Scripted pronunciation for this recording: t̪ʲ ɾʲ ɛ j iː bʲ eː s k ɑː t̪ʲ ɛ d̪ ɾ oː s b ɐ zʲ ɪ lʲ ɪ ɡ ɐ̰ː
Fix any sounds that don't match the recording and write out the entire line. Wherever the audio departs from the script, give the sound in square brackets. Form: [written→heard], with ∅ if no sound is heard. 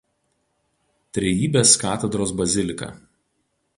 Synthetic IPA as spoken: t̪ʲ ɾʲ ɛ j iː bʲ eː s k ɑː t̪ʲ ɛ d̪ ɾ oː s b ɐ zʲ ɪ lʲ ɪ [ɡ→k] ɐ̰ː